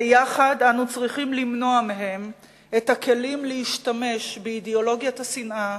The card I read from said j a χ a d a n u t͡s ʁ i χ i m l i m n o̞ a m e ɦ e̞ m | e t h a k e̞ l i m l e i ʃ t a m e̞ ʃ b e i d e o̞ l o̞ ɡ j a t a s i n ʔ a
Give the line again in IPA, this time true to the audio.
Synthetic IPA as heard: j a χ a d a n u t͡s ʁ i χ i m l i m n o̞ a m e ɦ e̞ m | e t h a k e̞ l i m l e i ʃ t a m e̞ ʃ b e i d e o̞ l o̞ ɡ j a t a s i n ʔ a